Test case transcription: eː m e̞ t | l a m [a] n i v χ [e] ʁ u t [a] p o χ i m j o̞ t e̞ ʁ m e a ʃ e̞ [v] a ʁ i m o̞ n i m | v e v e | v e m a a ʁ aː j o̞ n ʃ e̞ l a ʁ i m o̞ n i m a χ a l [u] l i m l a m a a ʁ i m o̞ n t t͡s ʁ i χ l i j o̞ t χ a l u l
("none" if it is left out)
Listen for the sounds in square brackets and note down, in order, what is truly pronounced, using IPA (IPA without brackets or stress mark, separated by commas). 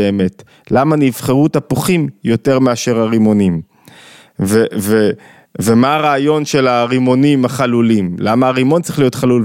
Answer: a, e, a, ʁ, u